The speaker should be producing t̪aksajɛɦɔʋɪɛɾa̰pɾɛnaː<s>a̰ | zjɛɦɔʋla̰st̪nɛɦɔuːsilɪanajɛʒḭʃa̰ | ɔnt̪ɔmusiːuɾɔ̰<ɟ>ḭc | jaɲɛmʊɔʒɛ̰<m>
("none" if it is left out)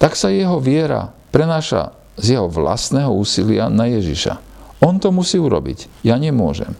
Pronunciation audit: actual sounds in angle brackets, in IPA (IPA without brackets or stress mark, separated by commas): ʃ, b, m